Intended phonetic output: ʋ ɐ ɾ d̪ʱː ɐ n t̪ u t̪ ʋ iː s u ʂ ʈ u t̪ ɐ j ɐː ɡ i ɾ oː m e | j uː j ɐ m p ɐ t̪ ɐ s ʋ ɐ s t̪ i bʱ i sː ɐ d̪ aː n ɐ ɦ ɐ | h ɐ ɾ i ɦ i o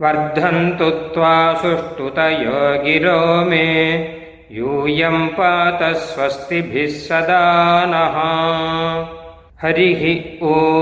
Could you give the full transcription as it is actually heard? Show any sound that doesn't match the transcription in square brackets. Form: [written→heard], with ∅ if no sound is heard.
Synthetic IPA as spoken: ʋ ɐ ɾ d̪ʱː ɐ n t̪ u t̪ ʋ [iː→aː] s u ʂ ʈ u t̪ ɐ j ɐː ɡ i ɾ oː m e | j uː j ɐ m p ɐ t̪ ɐ s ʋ ɐ s t̪ i bʱ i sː ɐ d̪ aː n ɐ ɦ ɐ | h ɐ ɾ i ɦ i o